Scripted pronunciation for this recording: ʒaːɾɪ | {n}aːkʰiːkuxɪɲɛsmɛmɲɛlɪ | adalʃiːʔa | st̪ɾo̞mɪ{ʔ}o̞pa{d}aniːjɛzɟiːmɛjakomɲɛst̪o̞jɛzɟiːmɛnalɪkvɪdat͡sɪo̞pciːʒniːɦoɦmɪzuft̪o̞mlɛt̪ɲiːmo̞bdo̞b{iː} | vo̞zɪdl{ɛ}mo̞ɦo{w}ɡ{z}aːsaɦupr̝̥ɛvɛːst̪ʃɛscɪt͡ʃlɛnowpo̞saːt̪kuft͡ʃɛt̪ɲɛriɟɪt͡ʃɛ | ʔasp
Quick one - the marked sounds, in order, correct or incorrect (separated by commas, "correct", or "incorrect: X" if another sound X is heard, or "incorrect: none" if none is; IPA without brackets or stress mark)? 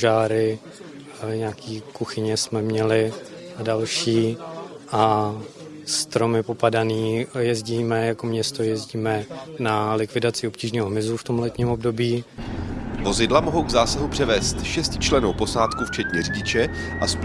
incorrect: ɲ, incorrect: p, correct, correct, incorrect: a, correct, correct